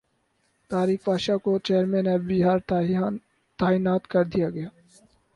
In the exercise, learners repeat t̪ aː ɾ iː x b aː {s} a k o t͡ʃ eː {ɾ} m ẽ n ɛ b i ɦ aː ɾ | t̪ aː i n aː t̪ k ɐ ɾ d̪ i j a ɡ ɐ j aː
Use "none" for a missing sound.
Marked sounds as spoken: ʃ, ɾ

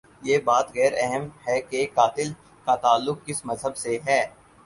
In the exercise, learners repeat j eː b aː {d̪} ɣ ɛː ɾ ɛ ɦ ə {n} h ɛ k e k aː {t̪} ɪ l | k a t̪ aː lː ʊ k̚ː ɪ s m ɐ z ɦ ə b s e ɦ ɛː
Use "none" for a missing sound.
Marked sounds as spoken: t̪, m, t̪

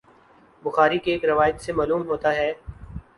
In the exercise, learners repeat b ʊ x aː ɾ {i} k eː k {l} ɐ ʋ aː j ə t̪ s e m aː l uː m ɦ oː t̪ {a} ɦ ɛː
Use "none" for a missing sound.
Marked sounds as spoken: i, ɾ, a

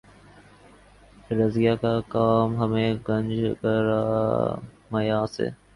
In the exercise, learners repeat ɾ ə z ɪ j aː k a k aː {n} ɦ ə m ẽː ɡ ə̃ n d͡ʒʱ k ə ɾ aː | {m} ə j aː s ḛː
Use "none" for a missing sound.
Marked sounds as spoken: m, m

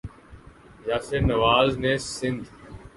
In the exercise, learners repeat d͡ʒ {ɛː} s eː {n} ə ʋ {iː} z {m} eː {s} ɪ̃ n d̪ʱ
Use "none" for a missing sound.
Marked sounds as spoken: aː, n, aː, n, s

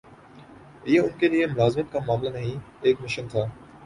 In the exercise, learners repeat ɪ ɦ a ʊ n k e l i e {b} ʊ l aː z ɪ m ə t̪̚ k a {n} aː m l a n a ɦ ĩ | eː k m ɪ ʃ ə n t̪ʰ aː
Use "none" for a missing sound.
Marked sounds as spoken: m, m

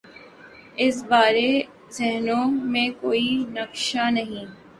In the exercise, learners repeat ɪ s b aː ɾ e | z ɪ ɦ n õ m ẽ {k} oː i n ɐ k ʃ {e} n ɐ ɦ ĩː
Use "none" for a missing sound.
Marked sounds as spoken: k, a

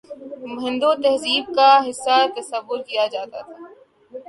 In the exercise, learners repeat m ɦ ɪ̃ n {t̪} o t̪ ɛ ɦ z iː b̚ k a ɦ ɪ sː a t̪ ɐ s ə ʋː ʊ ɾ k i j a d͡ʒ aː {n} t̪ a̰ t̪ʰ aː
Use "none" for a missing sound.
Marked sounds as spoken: d̪, none

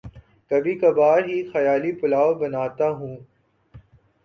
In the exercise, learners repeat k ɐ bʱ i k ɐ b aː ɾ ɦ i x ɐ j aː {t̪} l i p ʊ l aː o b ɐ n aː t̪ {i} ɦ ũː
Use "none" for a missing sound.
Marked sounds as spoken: none, a

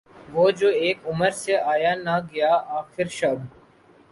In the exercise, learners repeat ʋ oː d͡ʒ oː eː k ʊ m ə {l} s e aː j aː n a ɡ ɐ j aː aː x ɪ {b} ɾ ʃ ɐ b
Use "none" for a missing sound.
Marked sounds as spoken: ɾ, none

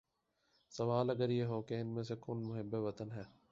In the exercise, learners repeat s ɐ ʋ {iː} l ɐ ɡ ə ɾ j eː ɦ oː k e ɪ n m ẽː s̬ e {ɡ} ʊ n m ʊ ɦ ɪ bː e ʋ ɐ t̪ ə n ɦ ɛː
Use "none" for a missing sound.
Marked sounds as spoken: aː, k

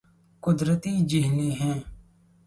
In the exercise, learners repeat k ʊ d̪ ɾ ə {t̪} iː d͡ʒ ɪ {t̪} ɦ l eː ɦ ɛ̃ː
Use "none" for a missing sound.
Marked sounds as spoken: t̪, none

